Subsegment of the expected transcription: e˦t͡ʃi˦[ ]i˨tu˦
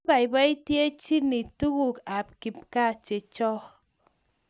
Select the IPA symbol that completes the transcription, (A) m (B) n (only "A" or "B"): B